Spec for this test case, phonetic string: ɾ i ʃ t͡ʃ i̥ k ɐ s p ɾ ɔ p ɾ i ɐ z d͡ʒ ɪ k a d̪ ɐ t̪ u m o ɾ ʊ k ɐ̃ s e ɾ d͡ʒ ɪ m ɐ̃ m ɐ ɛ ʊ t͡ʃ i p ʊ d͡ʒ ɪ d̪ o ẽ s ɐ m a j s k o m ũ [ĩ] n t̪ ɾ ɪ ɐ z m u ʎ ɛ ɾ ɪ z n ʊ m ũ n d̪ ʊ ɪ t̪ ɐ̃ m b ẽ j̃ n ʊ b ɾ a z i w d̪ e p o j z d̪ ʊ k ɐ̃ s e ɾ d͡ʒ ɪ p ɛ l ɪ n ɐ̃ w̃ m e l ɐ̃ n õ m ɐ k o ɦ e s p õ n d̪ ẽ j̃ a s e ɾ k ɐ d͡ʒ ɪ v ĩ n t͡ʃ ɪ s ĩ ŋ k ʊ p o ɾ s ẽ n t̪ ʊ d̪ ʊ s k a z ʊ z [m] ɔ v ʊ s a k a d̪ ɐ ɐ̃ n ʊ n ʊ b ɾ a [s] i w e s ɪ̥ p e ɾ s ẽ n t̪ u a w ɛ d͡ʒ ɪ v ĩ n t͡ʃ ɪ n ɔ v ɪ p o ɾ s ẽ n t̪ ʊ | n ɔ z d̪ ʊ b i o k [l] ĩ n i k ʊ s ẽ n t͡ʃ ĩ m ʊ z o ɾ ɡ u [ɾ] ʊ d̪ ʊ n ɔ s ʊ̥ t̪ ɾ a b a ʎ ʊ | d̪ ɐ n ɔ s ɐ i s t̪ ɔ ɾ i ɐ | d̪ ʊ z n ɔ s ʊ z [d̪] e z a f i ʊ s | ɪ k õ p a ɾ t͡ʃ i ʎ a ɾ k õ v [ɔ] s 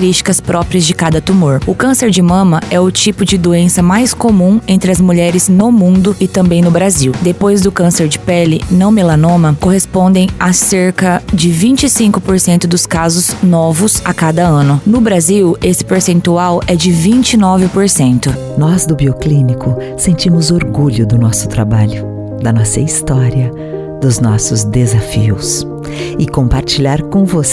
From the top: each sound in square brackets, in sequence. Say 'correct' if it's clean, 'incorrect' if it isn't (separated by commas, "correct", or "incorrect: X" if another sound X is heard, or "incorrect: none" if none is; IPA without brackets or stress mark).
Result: incorrect: ẽ, incorrect: n, incorrect: z, correct, incorrect: ʎ, correct, incorrect: o